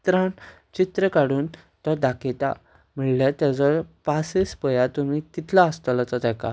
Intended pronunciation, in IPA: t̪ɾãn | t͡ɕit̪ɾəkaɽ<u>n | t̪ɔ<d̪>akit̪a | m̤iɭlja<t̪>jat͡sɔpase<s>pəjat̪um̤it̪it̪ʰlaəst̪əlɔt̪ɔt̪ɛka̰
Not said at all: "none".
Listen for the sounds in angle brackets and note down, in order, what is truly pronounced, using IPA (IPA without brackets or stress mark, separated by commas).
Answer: uː, d̪, t̪, s